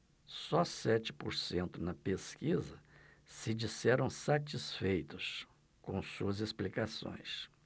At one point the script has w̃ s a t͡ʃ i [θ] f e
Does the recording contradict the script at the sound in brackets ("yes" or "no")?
yes